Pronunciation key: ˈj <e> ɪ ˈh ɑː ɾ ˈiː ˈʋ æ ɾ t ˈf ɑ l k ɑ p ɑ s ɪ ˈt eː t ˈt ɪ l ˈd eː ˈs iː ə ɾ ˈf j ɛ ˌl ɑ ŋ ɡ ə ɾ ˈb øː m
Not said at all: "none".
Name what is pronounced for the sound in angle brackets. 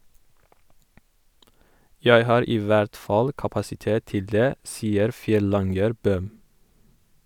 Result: æ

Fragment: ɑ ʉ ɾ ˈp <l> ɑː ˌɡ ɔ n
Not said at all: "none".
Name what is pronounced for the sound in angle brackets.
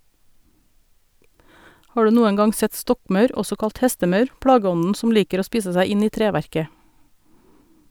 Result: ɽ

